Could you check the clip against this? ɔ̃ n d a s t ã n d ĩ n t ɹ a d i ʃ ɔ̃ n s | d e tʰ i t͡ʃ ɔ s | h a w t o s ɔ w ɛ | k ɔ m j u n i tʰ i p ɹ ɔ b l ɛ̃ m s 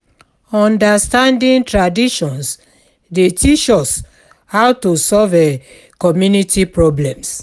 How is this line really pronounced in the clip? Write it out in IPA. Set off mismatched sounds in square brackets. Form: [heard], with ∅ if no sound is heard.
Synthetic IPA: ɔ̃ n d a s t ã n d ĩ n t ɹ a d i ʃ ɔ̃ n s | d e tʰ i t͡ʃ ɔ s | h a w t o s ɔ [v] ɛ | k ɔ m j u n i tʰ i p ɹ ɔ b l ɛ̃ m s